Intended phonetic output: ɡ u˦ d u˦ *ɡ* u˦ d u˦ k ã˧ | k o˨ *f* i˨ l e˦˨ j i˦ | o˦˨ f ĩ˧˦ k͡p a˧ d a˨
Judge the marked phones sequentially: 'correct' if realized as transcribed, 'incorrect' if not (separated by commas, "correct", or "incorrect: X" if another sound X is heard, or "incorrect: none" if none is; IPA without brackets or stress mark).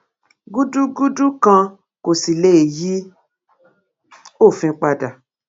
correct, incorrect: s